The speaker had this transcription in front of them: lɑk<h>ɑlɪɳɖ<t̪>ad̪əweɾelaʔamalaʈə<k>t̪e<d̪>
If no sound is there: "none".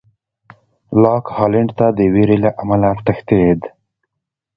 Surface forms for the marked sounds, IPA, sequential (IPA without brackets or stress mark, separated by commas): h, t̪, x, d̪